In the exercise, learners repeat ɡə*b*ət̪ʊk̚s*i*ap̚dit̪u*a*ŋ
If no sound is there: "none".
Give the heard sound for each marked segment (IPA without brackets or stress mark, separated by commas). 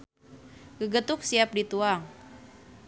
ɡ, i, a